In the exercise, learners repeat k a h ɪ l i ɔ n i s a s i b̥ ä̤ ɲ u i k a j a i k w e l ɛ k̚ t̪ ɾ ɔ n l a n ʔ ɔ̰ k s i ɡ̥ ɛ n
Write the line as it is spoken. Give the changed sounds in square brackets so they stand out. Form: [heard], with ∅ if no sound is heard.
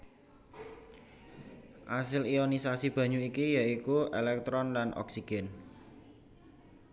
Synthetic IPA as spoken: [ʔ] a [s] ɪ l i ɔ n i s a s i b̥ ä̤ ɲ u i k [i] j a i k [u] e l ɛ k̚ t̪ ɾ ɔ n l a n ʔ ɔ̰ k s i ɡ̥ ɛ n